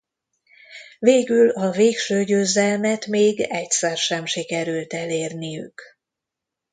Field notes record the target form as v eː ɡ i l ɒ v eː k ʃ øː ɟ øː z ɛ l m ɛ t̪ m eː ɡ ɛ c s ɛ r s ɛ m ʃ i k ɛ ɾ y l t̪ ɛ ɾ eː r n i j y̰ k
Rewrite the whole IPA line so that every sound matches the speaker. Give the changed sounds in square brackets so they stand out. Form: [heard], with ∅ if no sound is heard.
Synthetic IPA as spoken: v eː ɡ [y] l ɒ v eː k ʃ øː ɟ øː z ɛ l m ɛ t̪ m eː ɡ ɛ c s ɛ r [ʃ] ɛ m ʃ i k ɛ ɾ y l t̪ ɛ [l] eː r n i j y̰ k